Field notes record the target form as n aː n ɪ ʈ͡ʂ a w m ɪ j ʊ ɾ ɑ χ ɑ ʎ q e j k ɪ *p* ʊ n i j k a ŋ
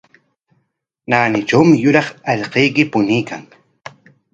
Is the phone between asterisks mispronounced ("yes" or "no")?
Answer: no